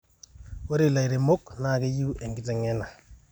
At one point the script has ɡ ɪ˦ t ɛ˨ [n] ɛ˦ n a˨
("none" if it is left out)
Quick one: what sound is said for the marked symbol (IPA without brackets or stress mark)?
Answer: ŋ